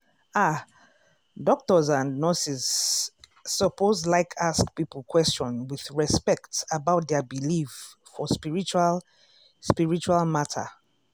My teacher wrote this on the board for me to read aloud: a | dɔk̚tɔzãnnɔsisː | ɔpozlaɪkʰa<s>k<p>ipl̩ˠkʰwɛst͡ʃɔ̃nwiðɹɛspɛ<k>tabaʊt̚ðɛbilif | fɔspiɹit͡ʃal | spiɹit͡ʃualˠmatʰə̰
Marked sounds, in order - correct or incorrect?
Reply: correct, correct, correct

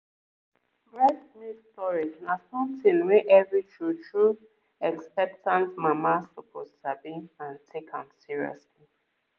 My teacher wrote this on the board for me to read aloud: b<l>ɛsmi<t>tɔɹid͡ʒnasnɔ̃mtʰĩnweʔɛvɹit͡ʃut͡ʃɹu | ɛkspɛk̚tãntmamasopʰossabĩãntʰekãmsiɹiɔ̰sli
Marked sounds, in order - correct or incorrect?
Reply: incorrect: ɹ, incorrect: s

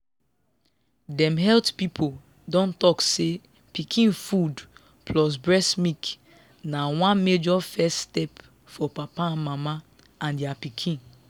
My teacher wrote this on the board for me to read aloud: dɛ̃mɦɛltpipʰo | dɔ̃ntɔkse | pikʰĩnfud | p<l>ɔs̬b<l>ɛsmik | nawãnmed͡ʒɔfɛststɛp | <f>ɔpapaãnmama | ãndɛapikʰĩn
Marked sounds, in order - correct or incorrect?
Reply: correct, incorrect: ɹ, correct

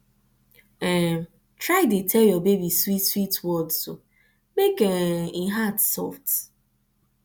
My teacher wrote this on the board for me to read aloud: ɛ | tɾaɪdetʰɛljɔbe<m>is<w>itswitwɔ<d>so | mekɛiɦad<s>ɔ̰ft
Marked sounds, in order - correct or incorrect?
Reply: incorrect: b, correct, correct, correct

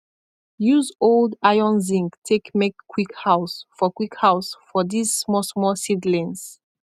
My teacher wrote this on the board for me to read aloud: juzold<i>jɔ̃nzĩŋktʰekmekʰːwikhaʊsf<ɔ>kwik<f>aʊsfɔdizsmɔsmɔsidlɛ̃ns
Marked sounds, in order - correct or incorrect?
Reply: incorrect: a, correct, incorrect: h

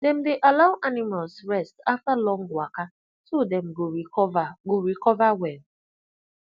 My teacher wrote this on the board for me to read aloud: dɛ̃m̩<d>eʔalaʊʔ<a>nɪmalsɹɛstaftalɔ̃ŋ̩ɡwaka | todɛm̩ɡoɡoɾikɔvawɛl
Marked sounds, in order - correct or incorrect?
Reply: correct, correct

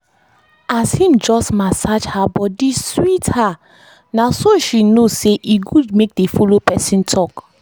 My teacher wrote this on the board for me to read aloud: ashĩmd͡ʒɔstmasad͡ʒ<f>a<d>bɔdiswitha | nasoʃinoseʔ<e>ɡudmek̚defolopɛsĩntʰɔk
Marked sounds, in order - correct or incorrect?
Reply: incorrect: h, incorrect: none, incorrect: i

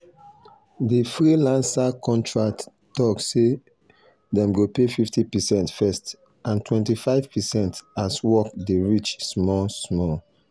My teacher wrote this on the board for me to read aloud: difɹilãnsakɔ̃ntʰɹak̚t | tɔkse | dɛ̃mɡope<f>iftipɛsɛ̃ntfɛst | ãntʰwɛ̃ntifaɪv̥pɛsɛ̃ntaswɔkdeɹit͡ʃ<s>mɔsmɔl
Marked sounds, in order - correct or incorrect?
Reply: correct, correct

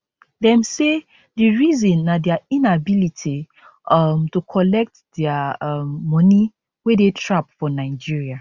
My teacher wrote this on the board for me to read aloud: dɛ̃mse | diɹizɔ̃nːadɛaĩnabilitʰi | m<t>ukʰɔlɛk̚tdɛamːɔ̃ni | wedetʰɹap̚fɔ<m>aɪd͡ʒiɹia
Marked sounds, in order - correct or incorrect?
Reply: correct, incorrect: n

